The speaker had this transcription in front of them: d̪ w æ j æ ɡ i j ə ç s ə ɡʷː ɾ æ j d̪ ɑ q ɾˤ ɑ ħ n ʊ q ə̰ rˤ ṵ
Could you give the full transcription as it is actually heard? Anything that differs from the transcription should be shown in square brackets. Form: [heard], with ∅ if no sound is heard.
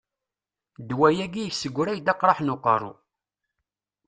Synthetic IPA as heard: d̪ w æ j æ ɡ i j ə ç s ə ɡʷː ɾ æ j d̪ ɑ q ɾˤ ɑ ħ n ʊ q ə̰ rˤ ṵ